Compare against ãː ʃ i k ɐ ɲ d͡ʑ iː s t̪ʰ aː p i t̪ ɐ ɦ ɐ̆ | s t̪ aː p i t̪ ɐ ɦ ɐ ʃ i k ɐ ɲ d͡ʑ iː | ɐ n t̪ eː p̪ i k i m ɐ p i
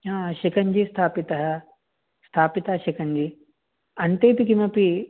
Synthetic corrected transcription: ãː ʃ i k ɐ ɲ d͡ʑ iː s t̪ʰ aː p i t̪ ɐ ɦ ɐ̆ | s t̪ʰ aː p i t̪ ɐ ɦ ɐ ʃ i k ɐ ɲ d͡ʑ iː | ɐ n t̪ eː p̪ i k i m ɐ p i